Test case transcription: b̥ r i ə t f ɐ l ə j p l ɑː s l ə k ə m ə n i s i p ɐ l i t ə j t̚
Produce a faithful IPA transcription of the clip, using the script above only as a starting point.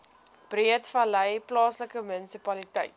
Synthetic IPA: b̥ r i ə t f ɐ l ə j p l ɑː s l ə k ə m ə n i s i p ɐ l i t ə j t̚